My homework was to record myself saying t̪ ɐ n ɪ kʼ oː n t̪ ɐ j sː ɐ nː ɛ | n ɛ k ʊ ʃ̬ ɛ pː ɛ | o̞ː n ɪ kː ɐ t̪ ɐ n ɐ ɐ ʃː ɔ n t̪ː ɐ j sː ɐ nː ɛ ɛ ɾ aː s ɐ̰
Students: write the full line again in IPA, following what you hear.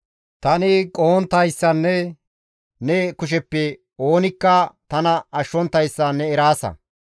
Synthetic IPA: t̪ ɐ n ɪ kʼ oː n t̪ ɐ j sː ɐ nː ɛ | n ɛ k ʊ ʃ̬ ɛ pː ɛ | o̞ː n ɪ kː ɐ t̪ ɐ n ɐ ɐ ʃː ɔ n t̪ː ɐ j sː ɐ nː ɛ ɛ ɾ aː s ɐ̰

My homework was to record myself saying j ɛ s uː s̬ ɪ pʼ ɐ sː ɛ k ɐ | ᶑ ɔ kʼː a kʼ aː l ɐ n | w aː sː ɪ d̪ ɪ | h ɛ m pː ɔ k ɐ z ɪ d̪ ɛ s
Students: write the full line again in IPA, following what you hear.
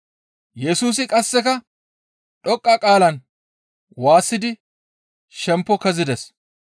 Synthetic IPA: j ɛ s uː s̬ ɪ kʼ ɐ sː ɛ k ɐ | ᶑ ɔ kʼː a kʼ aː l ɐ n | w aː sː ɪ d̪ ɪ | ʃ ɛ m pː ɔ k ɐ z ɪ d̪ ɛ s

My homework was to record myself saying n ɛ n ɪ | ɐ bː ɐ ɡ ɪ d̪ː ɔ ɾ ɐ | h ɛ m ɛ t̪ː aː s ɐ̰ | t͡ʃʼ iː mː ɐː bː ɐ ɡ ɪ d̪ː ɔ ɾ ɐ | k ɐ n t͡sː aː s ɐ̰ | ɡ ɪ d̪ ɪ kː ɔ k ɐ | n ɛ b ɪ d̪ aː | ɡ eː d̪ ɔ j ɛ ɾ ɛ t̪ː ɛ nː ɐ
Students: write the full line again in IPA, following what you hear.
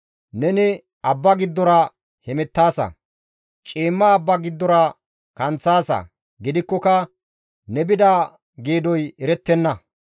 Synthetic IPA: n ɛ n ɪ | ɐ bː ɐ ɡ ɪ d̪ː ɔ ɾ ɐ | h ɛ m ɛ t̪ː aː s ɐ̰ | t͡ʃʼ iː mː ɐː bː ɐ ɡ ɪ d̪ː ɔ ɾ ɐ | k ɐ n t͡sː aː s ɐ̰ | ɡ ɪ d̪ ɪ kː ɔ k ɐ | n ɛ b ɪ d̪ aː | ɡ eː d̪ ɔ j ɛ ɾ ɛ t̪ː ɛ nː ɐ

